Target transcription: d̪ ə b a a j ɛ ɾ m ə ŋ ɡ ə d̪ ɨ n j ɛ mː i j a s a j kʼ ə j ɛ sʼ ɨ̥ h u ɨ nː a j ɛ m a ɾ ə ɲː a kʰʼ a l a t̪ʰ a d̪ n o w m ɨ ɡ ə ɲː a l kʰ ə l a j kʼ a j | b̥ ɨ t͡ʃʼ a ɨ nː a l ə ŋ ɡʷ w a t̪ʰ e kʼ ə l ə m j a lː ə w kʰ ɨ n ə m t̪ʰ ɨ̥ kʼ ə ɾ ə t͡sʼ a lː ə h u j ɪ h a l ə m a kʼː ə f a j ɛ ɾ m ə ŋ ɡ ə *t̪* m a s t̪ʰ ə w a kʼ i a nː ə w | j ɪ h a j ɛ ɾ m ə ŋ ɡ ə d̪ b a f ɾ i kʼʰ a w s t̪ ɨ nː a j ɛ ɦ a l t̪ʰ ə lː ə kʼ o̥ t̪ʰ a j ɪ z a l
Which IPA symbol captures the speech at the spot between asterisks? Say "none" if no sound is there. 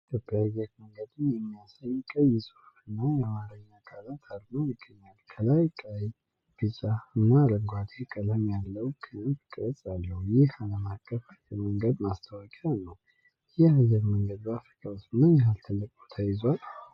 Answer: d̪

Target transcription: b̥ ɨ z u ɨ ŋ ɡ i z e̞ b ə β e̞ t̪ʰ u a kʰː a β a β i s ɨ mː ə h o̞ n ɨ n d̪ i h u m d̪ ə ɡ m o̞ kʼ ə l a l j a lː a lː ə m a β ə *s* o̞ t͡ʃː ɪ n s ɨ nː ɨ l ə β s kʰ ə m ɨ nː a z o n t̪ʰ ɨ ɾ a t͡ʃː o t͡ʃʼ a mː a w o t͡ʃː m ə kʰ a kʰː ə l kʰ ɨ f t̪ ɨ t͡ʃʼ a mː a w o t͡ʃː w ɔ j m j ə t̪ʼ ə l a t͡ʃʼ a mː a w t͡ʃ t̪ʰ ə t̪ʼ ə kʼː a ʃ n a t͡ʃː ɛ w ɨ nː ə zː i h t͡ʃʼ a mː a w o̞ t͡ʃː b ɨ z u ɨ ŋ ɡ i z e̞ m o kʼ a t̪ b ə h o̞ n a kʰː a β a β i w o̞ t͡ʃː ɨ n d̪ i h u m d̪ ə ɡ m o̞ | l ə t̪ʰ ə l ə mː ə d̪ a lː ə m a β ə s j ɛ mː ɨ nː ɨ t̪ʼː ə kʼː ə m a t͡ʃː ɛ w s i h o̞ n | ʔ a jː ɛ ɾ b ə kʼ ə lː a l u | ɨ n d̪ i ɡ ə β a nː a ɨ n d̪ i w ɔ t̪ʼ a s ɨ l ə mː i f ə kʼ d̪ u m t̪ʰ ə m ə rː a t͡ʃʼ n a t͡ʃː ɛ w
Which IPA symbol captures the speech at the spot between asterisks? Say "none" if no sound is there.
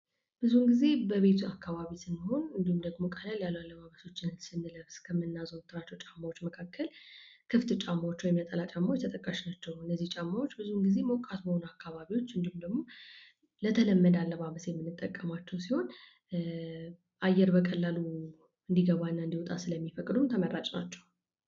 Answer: s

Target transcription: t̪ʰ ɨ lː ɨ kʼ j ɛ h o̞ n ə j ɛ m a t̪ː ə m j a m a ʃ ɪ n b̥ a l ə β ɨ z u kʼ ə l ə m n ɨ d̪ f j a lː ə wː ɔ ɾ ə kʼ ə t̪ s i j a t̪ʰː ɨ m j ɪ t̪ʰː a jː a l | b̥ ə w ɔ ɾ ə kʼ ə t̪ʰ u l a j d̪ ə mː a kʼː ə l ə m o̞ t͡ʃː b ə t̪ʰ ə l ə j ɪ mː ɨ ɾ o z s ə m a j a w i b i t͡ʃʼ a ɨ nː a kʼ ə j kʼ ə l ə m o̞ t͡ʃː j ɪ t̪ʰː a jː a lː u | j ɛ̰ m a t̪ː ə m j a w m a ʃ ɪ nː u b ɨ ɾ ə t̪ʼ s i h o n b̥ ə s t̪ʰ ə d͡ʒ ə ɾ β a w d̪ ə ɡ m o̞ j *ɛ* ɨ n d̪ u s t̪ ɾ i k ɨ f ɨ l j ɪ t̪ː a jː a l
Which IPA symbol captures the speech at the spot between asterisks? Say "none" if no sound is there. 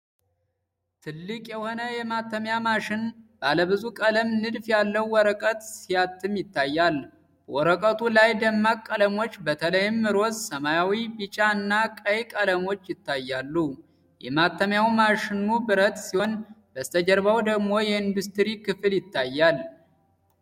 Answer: ɛ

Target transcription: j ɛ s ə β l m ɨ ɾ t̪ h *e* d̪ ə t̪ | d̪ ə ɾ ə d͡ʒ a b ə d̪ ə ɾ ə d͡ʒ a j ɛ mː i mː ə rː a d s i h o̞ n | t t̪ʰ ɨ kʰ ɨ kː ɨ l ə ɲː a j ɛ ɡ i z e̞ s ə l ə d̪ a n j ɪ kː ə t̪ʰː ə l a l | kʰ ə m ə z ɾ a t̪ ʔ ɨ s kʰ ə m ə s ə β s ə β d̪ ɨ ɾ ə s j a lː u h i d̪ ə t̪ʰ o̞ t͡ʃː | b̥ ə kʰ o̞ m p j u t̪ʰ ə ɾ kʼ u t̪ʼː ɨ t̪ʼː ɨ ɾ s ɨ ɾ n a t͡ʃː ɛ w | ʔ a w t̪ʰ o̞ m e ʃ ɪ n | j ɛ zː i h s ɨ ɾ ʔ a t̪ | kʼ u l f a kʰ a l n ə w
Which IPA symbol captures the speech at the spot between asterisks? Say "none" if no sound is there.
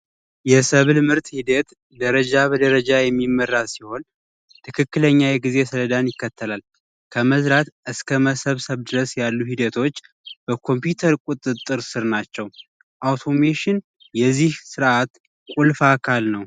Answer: i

